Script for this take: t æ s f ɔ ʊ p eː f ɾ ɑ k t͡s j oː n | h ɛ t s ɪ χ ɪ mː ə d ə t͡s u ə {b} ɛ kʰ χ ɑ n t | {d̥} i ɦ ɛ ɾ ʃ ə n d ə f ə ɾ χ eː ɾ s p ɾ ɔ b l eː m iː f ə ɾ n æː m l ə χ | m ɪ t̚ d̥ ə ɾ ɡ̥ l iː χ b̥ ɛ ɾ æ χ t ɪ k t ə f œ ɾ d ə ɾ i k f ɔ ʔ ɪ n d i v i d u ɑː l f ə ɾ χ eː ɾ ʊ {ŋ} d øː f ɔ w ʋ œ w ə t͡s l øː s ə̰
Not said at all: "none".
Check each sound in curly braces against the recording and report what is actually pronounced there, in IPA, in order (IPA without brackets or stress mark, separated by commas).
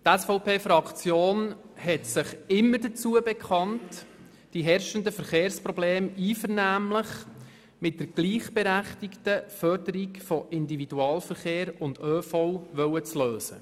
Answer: b, d̥, n